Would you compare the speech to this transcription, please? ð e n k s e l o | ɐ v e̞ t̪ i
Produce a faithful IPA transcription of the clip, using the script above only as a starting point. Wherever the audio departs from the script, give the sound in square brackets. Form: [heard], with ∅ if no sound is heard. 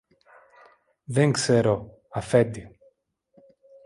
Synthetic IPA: ð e [ŋ] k s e [ɾ] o | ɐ [f] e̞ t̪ i